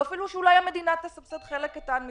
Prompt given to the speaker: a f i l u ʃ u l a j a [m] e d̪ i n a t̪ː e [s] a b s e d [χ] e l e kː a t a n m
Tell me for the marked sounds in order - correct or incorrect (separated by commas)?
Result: correct, correct, correct